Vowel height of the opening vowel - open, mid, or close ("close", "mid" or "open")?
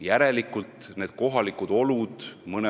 open